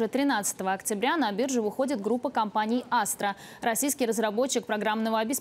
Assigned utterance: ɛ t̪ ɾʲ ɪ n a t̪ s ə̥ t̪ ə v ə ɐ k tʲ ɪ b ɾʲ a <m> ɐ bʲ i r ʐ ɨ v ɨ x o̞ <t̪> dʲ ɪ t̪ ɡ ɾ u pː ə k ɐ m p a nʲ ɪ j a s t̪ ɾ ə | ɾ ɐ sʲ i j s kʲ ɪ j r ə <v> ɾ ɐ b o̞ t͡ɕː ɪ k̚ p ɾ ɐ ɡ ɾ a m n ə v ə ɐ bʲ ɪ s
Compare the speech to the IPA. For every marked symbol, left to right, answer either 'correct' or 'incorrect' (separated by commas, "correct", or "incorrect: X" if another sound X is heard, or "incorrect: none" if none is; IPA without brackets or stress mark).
incorrect: n, incorrect: none, incorrect: z